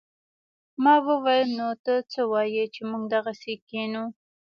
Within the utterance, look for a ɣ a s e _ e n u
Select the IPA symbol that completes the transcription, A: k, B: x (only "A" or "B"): A